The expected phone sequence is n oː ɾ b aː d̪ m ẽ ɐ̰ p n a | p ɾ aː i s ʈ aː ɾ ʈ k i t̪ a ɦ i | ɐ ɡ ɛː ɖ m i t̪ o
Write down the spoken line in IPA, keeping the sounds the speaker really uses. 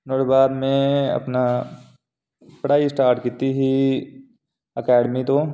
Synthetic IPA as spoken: n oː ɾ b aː d̪ m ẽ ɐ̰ p n a | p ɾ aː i s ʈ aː ɾ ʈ k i t̪ i ɦ i | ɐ k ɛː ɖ m i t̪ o